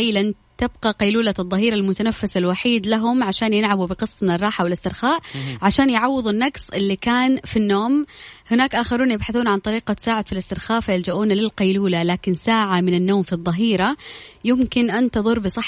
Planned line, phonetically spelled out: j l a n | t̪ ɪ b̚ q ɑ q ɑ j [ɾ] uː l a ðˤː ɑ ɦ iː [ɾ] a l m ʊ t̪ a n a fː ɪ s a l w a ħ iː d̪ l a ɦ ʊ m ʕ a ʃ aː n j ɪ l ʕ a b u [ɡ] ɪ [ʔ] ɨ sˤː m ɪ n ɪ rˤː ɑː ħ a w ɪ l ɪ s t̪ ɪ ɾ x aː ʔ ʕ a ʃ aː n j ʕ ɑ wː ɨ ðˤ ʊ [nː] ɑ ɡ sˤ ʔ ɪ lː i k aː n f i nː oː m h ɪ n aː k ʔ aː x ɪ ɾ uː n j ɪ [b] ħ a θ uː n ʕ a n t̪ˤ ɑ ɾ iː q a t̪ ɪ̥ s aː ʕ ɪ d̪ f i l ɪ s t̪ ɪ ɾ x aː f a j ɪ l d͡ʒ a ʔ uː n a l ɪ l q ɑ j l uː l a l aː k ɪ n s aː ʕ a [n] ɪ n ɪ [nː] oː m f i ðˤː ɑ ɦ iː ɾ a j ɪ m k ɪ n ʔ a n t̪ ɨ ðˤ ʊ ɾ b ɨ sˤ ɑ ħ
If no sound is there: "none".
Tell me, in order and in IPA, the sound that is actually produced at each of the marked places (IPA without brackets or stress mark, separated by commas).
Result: l, ɾ, b, q, nː, b, m, nː